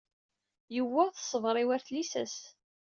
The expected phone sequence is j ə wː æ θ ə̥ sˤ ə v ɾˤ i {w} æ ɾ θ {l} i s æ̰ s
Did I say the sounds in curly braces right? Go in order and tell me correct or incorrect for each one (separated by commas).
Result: correct, correct